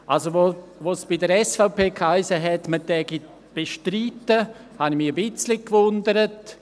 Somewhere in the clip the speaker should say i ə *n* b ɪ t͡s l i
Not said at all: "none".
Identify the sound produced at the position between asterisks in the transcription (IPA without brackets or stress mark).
none